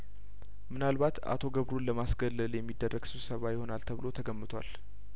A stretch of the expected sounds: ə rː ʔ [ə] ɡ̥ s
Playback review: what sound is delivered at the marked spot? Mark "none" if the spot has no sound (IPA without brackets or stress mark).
ə